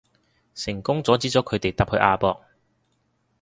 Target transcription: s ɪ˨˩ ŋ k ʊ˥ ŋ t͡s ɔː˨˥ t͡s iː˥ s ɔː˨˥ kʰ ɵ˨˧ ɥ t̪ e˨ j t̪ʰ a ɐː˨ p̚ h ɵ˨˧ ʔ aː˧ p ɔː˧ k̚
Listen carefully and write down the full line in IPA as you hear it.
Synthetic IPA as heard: s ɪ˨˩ ŋ k ʊ˥ ŋ t͡s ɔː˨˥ t͡s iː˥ t͡s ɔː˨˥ kʰ ɵ˨˧ ɥ t̪ e˨ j t̪ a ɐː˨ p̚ h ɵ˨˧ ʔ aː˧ p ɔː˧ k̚